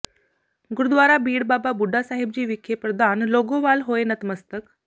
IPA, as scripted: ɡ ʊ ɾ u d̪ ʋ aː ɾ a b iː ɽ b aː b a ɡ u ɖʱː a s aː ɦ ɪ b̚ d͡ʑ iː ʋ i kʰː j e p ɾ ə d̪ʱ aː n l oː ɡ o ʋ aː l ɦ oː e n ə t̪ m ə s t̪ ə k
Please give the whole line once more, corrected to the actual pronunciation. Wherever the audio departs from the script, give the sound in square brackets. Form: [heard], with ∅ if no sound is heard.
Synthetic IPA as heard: ɡ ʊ ɾ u d̪ ʋ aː ɾ a b iː ɽ b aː b a [b] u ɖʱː a s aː ɦ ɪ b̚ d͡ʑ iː ʋ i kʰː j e p ɾ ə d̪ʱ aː n l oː ɡ o ʋ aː l ɦ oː e n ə t̪ m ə s t̪ ə k